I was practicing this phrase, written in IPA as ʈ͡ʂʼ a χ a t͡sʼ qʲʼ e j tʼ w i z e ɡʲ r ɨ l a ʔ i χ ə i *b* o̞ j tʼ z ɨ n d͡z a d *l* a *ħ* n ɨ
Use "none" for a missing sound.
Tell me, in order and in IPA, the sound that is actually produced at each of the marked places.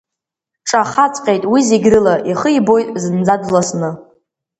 b, l, s

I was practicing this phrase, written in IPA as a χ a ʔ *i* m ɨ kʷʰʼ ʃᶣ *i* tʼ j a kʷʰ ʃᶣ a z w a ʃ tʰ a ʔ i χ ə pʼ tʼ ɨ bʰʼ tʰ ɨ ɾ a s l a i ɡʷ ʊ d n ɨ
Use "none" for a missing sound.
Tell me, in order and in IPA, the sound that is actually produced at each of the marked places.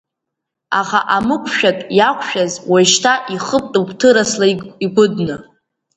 a, a

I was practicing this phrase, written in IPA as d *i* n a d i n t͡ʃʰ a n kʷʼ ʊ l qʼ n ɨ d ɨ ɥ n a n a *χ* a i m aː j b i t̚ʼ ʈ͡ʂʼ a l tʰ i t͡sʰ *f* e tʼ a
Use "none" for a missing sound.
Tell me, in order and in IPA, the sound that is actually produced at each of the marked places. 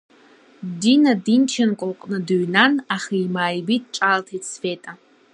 i, χ, f

